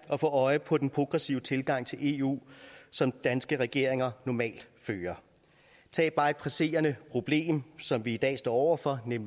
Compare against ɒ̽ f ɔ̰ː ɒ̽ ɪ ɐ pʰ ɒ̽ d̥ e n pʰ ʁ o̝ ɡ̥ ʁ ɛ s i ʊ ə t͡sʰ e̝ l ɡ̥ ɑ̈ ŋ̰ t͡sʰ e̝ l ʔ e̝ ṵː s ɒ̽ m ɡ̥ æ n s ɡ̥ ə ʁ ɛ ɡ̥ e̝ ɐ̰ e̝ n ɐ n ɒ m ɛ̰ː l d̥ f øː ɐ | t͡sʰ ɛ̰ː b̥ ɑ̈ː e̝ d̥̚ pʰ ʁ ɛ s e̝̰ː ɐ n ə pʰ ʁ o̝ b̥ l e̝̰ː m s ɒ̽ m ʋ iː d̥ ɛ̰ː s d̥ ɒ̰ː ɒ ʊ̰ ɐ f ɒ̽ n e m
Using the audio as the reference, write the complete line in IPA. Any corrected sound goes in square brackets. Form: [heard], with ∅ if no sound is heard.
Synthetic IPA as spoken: ɒ̽ f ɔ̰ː ɒ̽ ɪ [ə] pʰ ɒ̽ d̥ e n pʰ ʁ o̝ ɡ̥ ʁ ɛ s i ʊ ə t͡sʰ e̝ l ɡ̥ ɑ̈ ŋ̰ t͡sʰ e̝ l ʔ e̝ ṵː s ɒ̽ m [d̥] æ n s ɡ̥ ə ʁ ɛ ɡ̥ e̝ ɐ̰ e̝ [ŋ] ɐ n ɒ m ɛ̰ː l d̥ f øː ɐ | t͡sʰ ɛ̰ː b̥ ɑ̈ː e̝ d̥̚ pʰ ʁ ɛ s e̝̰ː ɐ n ə pʰ ʁ o̝ b̥ l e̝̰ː m s ɒ̽ m ʋ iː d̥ ɛ̰ː s d̥ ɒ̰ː ɒ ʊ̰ ɐ f ɒ̽ n e m